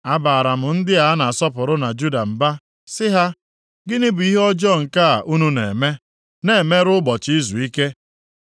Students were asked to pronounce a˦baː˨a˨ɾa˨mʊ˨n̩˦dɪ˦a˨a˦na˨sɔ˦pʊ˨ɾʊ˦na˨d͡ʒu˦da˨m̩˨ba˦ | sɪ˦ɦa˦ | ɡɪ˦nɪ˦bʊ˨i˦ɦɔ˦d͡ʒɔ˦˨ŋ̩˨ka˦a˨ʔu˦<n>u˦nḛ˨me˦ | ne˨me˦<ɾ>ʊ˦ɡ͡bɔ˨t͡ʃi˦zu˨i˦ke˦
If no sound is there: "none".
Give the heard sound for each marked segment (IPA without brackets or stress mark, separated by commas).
n, ɾ